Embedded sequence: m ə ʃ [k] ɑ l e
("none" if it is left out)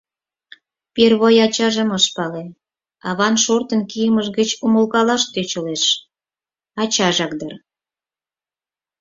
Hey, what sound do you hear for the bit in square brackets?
p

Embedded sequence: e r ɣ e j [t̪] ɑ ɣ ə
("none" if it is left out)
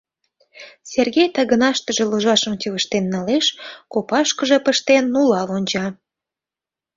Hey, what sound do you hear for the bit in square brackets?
t̪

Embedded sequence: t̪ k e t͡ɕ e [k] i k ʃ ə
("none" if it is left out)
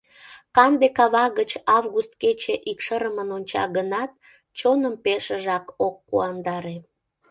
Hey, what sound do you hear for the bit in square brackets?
ʔ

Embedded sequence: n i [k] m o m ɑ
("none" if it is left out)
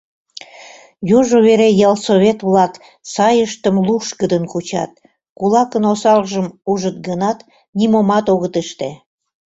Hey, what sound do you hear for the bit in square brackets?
none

